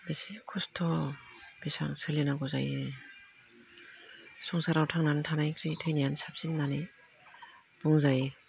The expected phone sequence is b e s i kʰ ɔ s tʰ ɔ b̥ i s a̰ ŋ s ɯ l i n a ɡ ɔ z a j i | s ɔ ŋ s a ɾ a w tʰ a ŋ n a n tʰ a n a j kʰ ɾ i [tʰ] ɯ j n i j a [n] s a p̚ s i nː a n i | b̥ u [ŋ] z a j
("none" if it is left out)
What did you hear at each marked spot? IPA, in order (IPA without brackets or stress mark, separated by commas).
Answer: tʰ, n, ŋ